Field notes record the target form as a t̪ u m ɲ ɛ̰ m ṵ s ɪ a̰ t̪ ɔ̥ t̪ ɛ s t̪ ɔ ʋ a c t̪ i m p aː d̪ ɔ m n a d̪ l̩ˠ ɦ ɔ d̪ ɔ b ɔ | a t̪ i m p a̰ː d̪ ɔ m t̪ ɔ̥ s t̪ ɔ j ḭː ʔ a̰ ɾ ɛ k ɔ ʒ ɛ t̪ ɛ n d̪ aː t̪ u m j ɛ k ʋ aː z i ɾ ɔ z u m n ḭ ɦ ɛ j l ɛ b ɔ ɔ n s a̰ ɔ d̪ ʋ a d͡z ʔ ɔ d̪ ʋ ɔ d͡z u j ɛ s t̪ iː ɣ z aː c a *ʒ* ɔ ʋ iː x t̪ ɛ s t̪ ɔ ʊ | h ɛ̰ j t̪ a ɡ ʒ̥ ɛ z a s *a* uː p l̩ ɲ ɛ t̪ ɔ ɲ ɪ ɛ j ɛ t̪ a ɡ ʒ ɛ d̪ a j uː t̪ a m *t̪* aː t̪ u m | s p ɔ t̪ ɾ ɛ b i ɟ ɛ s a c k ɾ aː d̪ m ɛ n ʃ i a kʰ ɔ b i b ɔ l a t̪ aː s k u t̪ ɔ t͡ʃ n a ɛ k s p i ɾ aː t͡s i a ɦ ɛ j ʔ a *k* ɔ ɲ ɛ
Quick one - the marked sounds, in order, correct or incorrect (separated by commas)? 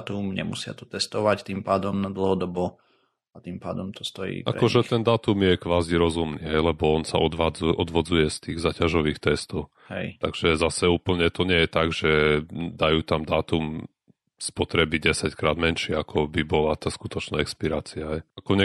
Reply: correct, incorrect, incorrect, correct